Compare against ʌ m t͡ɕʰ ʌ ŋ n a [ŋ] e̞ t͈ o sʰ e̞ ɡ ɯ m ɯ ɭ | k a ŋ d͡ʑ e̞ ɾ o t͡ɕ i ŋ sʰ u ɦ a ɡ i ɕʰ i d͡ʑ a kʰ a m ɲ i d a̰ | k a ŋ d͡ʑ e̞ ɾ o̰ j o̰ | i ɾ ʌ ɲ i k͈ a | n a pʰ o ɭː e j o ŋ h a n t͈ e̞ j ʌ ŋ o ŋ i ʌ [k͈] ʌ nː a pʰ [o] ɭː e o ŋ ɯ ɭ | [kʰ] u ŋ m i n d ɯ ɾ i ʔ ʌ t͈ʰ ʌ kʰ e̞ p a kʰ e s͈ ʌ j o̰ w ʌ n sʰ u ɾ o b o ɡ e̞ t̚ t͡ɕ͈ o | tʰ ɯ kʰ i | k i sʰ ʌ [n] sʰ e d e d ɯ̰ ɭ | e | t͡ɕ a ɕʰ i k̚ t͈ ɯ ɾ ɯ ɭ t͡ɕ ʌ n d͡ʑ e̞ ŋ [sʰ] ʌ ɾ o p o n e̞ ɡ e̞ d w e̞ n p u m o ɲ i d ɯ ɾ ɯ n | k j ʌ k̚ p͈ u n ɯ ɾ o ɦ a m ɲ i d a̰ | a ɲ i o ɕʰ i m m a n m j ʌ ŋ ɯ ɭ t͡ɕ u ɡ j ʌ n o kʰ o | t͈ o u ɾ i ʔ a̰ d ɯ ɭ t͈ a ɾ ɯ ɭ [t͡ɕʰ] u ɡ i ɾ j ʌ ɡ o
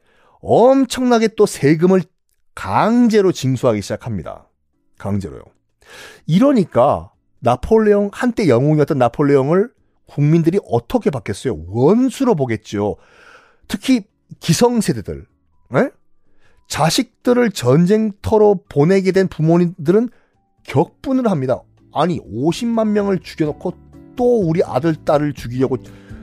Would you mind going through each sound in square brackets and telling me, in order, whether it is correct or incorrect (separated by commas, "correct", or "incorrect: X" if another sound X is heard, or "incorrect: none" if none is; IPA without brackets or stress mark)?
incorrect: ɡ, incorrect: t͈, correct, incorrect: k, incorrect: ŋ, incorrect: tʰ, incorrect: t͡ɕ